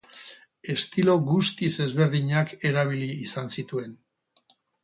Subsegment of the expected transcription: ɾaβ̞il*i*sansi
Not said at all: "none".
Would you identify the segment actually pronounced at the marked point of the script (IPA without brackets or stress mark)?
iː